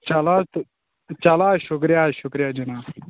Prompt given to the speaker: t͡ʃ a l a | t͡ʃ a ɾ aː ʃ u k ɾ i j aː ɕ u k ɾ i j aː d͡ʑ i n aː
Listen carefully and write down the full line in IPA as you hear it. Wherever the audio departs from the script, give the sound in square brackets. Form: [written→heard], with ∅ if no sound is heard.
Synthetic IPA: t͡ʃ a l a | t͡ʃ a [ɾ→l] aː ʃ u k ɾ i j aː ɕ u k ɾ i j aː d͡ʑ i n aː